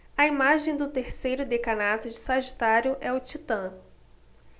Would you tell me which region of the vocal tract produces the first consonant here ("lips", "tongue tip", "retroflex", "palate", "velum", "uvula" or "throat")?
lips